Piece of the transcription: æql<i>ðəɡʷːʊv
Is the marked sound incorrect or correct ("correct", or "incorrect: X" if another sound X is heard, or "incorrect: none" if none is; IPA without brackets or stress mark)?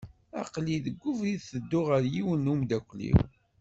correct